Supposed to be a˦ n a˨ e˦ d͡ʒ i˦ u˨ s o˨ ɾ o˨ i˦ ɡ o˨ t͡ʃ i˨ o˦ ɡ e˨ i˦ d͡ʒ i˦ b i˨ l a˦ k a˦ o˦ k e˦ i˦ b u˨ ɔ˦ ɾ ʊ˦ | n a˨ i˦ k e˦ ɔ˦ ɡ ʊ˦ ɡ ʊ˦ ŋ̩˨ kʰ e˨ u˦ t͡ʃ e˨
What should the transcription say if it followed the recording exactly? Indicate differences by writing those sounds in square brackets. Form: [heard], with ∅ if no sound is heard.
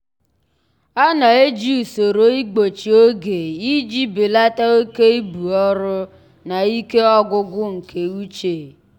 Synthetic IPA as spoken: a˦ n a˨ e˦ d͡ʒ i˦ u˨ s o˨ ɾ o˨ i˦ [ɡ͡b] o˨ t͡ʃ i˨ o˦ ɡ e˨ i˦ d͡ʒ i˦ b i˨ l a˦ [t] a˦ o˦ k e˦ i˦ b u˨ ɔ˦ ɾ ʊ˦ | n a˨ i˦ k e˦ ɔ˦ ɡ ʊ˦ ɡ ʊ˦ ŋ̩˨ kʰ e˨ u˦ t͡ʃ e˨